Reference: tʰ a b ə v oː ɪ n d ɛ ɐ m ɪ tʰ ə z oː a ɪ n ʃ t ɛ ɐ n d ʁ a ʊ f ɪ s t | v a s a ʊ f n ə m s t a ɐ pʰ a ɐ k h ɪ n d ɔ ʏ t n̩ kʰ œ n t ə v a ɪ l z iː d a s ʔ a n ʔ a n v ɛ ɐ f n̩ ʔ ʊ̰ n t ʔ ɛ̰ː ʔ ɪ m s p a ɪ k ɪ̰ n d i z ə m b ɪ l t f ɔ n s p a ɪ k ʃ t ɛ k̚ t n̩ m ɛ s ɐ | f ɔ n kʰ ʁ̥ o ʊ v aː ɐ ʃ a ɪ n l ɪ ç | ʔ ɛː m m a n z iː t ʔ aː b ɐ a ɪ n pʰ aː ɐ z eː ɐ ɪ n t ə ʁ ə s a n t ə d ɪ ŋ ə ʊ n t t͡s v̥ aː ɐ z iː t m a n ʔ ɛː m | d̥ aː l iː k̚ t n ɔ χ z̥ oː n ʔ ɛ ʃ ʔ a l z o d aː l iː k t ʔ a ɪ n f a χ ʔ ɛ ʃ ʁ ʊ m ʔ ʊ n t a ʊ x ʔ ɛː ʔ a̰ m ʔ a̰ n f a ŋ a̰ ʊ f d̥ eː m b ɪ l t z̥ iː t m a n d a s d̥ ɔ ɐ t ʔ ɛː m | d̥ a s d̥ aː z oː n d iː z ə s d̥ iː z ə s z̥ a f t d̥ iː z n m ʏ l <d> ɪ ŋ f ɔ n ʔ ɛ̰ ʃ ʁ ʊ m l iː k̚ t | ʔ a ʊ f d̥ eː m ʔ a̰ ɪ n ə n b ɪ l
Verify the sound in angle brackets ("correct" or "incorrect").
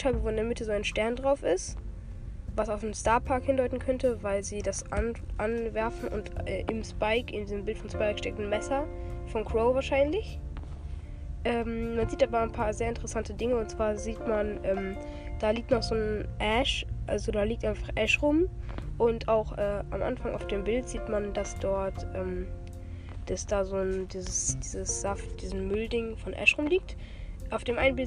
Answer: correct